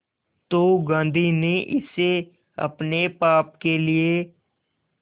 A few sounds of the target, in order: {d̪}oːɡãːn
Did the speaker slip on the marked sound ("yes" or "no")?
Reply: yes